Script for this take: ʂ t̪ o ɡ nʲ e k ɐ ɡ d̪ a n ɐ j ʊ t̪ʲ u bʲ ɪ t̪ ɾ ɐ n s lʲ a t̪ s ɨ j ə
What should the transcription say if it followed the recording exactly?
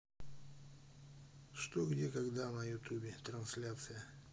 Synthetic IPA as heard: ʂ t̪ o ɡ dʲ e k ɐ ɡ d̪ a n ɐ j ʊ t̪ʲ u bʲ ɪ t̪ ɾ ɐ n s lʲ a t̪ s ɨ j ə